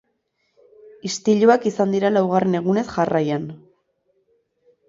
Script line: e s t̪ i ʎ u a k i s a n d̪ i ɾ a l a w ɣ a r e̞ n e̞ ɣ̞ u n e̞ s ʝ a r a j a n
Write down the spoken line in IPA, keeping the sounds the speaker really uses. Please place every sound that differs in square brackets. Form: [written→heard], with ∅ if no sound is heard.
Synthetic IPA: [e→i] s t̪ i ʎ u a k i s a n d̪ i ɾ a l a w ɣ a r e̞ n e̞ ɣ̞ u n e̞ s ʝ a r a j a n